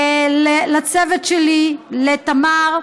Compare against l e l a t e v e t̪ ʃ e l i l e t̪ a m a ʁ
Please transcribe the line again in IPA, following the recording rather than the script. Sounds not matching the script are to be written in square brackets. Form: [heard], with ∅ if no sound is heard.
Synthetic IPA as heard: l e l a [t͡s] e v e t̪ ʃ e l i l e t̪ a m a ʁ